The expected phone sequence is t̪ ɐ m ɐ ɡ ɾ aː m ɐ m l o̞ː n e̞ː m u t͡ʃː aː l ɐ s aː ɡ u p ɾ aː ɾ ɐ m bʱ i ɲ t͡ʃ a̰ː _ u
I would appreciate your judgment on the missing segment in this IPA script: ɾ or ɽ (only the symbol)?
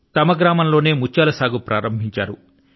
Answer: ɾ